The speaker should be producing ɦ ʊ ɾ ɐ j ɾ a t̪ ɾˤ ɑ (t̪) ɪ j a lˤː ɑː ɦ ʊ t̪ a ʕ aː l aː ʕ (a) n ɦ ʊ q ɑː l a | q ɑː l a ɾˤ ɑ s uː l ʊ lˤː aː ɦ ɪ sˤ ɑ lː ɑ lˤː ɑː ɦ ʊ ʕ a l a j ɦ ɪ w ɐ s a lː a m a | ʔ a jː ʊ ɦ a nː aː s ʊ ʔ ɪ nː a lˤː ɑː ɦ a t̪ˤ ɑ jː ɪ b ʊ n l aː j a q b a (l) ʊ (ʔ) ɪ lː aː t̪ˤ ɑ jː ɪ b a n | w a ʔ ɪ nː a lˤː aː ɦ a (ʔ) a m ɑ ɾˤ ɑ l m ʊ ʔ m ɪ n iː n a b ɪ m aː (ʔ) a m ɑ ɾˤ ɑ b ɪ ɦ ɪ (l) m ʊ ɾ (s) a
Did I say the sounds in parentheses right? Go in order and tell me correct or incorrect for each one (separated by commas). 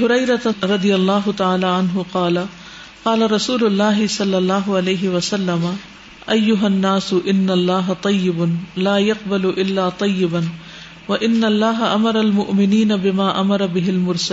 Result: incorrect, correct, correct, correct, correct, correct, correct, correct